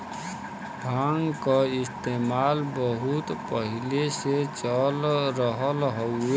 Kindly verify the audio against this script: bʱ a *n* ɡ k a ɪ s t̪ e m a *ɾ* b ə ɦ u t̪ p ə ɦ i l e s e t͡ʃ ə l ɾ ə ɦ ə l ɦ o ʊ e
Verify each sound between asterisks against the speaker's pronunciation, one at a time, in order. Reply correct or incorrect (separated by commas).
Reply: incorrect, incorrect